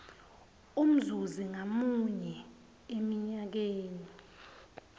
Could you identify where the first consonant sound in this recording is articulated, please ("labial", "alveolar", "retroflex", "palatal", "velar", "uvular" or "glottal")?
labial